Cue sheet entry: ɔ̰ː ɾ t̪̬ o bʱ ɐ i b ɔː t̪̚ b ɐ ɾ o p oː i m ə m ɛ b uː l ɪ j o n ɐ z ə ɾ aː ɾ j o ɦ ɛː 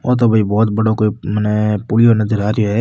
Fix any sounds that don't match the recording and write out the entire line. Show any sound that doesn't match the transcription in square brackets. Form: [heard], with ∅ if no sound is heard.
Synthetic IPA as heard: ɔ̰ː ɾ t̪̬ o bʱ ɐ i b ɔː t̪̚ b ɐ [ɽ] o [k] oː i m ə [n] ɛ [p] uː l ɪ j o n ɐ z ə ɾ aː ɾ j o ɦ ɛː